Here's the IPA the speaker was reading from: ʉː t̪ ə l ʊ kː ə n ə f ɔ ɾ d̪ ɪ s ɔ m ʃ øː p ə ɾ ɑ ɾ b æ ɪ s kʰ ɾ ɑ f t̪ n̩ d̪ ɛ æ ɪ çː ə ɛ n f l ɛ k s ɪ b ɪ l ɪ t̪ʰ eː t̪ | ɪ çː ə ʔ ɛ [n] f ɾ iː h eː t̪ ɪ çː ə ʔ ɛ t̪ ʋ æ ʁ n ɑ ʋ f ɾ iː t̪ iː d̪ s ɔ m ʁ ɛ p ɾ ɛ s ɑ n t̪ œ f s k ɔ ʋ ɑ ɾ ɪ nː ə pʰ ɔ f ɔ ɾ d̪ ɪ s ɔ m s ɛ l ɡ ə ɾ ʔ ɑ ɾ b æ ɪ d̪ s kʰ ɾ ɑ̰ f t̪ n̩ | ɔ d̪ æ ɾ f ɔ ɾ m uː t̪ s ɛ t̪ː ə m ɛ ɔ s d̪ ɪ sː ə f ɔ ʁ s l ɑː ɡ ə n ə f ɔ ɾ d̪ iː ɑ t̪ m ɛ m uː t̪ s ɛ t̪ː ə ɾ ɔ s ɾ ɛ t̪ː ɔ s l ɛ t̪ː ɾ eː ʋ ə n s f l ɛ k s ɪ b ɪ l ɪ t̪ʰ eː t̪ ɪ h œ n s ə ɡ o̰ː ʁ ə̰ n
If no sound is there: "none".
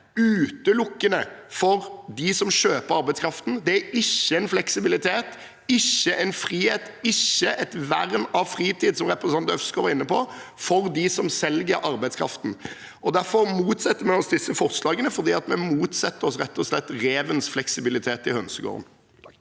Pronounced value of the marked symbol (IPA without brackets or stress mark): n